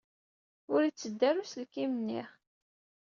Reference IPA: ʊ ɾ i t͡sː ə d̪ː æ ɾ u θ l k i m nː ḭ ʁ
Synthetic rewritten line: ʊ ɾ i t͡sː ə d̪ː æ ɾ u s l k i m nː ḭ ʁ